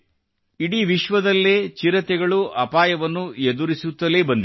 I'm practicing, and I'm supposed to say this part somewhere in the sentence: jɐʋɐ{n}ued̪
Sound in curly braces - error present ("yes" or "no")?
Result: yes